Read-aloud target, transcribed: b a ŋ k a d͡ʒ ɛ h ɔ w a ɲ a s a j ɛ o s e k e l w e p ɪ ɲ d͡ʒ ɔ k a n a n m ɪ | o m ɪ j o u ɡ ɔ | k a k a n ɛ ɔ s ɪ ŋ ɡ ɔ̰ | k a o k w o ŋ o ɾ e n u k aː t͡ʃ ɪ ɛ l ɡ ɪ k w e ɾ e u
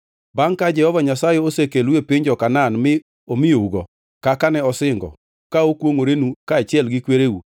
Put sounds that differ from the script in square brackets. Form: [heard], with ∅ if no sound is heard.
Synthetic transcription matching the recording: b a ŋ k a d͡ʒ ɛ h ɔ [v] a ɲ a s a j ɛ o s e k e l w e p ɪ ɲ d͡ʒ ɔ k a n a n m ɪ | o m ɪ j o u ɡ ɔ | k a k a n ɛ ɔ s ɪ ŋ ɡ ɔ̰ | k a o k w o ŋ o ɾ e n u k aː t͡ʃ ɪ ɛ l ɡ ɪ k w e ɾ e u